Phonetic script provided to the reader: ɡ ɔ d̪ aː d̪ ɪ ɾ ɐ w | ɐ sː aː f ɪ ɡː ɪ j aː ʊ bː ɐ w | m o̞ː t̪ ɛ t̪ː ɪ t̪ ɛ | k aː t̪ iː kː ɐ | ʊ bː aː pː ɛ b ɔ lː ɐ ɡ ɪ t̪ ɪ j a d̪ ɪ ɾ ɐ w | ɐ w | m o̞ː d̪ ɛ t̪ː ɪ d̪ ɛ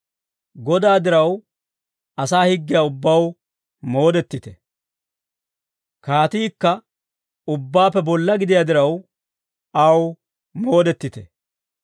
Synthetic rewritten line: ɡ ɔ d̪ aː d̪ ɪ ɾ ɐ w | ɐ s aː h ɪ ɡː ɪ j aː ʊ bː ɐ w | m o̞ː d̪ ɛ t̪ː ɪ t̪ ɛ | k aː t̪ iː kː ɐ | ʊ bː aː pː ɛ b ɔ lː ɐ ɡ ɪ d̪ ɪ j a d̪ ɪ ɾ ɐ w | ɐ w | m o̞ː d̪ ɛ t̪ː ɪ t̪ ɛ